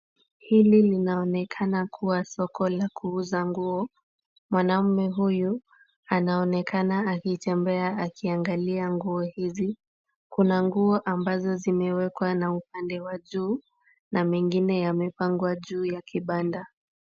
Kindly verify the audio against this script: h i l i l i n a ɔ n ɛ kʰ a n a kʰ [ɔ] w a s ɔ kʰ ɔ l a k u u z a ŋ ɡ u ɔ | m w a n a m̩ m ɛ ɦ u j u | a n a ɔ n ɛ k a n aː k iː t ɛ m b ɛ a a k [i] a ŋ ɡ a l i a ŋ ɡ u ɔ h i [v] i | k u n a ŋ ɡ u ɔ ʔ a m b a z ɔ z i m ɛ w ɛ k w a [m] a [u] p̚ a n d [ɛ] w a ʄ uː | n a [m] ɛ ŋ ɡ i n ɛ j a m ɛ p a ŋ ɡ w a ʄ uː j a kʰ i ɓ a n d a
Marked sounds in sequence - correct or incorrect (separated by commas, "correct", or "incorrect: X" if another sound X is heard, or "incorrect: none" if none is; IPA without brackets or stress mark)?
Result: incorrect: u, correct, incorrect: z, incorrect: n, correct, correct, correct